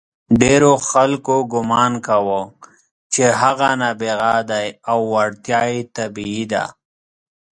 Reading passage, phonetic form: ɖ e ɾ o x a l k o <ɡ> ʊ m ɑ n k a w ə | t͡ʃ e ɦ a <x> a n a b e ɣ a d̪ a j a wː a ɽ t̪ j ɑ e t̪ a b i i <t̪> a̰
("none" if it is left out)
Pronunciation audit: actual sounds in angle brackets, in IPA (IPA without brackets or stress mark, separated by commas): ɡ, ɣ, d̪